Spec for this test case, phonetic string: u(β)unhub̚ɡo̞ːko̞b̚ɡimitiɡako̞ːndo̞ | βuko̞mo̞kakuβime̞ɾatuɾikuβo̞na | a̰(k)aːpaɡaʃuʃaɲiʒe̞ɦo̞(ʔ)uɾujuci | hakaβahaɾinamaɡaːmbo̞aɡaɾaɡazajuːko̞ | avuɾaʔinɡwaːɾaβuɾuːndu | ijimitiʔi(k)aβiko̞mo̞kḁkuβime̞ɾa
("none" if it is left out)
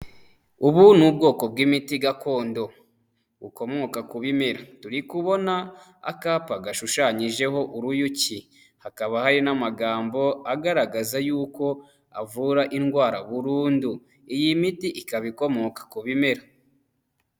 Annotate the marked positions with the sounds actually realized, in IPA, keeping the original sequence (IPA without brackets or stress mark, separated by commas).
β, k, ʔ, k